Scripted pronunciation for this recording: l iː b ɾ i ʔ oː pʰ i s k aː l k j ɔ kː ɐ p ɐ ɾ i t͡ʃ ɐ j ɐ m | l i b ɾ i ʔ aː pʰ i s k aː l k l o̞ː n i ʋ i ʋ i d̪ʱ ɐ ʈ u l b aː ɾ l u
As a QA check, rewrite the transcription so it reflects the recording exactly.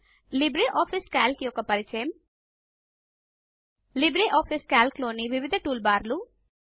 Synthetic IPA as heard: l i b ɾ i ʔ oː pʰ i s k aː l k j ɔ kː ɐ p ɐ ɾ i t͡ʃ ɐ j ɐ m | l i b ɾ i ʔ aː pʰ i s k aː l k l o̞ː n i ʋ i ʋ i d̪ʱ ɐ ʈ uː l b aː ɾ l u